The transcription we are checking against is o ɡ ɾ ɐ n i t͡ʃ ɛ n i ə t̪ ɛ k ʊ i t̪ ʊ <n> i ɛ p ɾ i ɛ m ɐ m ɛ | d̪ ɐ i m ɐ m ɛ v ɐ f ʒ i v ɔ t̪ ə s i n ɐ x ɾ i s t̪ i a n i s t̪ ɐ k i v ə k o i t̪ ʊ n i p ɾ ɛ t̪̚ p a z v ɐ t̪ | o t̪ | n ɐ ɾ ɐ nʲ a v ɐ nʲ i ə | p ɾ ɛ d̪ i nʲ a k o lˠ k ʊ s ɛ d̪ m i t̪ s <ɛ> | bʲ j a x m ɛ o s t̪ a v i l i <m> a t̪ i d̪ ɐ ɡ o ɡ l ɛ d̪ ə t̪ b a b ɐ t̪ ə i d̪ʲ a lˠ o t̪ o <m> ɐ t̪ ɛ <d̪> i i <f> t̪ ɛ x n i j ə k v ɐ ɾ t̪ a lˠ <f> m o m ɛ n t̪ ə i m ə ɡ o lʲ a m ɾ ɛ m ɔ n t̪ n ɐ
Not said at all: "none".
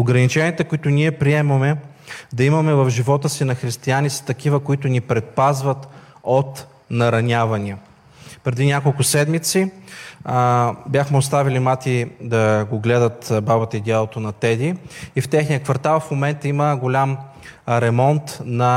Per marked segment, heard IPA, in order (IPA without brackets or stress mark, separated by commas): n, i, m, n, d̪, f, f